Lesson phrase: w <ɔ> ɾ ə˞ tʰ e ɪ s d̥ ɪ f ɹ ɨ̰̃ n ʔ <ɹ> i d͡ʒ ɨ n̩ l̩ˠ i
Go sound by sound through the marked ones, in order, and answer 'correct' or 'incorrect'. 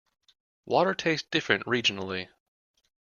correct, correct

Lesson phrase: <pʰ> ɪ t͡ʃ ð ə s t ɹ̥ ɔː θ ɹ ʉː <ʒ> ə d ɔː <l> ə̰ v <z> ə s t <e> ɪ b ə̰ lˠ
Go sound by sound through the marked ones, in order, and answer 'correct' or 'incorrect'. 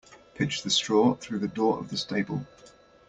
correct, incorrect, incorrect, incorrect, correct

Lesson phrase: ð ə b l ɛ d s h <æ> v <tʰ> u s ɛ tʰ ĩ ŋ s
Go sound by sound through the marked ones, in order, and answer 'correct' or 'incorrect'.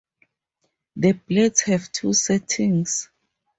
incorrect, correct

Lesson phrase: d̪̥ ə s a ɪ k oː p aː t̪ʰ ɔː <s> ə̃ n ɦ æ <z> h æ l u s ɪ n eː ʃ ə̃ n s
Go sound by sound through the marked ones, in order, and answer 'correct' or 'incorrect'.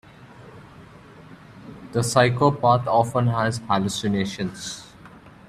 incorrect, correct

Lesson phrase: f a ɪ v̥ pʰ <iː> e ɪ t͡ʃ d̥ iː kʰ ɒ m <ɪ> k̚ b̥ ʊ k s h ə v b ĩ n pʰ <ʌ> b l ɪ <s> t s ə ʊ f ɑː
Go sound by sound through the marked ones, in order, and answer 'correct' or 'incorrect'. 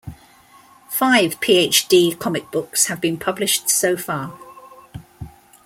correct, correct, correct, incorrect

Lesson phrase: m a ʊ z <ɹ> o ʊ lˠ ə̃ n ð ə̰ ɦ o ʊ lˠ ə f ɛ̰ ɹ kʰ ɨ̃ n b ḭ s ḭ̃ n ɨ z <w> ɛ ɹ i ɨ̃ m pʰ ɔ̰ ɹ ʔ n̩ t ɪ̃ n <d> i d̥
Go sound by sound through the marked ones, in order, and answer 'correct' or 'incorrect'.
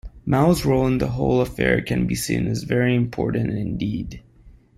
correct, incorrect, correct

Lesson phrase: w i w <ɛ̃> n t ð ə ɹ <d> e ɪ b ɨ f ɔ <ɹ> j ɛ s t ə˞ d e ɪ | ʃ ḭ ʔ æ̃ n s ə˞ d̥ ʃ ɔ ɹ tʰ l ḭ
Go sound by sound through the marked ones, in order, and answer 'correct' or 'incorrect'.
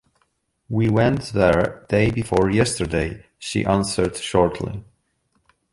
correct, correct, correct

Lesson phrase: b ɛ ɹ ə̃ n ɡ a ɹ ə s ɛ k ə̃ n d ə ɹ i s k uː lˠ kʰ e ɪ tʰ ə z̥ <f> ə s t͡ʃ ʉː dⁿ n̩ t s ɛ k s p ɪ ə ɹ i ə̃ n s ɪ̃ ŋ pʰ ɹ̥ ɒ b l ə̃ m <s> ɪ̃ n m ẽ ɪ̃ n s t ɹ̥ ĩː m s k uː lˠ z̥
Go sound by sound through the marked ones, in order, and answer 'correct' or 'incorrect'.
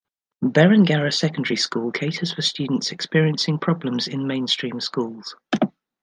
correct, incorrect

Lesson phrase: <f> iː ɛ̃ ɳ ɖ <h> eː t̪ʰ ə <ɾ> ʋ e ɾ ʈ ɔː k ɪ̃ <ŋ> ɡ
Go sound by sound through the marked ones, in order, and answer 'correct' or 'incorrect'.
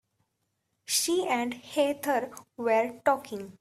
incorrect, correct, correct, correct

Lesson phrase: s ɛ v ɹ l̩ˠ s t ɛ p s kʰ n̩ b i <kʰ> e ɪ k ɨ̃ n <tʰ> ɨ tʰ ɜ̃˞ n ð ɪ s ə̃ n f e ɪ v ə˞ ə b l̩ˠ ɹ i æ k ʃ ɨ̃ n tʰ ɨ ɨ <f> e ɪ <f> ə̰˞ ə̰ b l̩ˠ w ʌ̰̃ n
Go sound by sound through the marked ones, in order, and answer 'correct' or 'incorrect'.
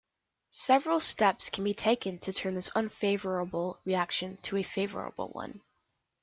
incorrect, correct, correct, incorrect

